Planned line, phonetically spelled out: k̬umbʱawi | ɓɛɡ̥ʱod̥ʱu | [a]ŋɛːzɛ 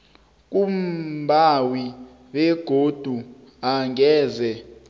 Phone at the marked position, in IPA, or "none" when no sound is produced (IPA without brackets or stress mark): a